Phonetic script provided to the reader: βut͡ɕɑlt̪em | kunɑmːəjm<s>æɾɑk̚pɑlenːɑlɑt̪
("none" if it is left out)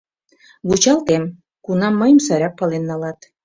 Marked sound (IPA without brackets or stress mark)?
s